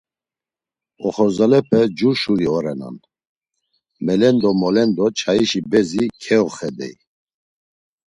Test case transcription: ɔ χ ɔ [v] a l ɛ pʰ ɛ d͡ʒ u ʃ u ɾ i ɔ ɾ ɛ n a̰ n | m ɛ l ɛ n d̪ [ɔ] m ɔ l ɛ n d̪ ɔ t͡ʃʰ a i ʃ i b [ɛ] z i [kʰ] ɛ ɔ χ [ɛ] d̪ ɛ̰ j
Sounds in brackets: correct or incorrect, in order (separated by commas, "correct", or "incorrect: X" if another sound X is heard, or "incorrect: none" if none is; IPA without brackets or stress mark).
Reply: incorrect: z, correct, correct, correct, correct